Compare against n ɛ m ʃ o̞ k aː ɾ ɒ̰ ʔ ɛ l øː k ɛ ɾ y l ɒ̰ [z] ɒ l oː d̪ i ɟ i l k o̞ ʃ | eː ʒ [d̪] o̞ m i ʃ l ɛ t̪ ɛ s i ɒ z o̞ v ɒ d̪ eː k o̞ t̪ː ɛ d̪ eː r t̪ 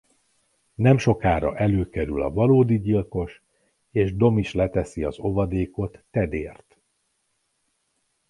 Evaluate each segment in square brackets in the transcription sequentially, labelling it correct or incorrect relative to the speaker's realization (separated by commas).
incorrect, correct